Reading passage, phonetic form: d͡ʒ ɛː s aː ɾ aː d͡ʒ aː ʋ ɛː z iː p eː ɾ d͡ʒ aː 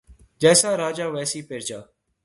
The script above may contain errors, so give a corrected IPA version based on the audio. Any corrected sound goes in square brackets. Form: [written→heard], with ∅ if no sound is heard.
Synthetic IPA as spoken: d͡ʒ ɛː s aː ɾ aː d͡ʒ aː ʋ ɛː [z→s] iː p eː ɾ d͡ʒ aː